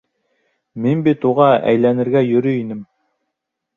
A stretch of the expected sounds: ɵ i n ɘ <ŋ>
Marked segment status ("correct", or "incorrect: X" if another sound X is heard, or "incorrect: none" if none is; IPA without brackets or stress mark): incorrect: m